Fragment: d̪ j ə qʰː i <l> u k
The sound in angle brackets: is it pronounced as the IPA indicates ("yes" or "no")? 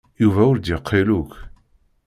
yes